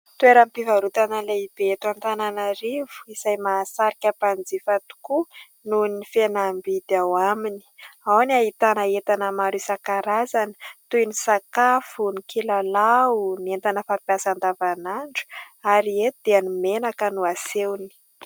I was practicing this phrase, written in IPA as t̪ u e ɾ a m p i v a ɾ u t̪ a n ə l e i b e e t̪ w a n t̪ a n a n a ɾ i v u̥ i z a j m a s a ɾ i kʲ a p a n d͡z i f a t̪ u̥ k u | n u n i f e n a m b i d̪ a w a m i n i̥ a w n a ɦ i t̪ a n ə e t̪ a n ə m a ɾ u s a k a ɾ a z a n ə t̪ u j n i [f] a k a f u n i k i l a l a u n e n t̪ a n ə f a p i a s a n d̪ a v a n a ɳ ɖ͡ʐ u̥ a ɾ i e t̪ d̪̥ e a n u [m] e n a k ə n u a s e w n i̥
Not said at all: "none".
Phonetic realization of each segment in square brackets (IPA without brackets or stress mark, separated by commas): s, m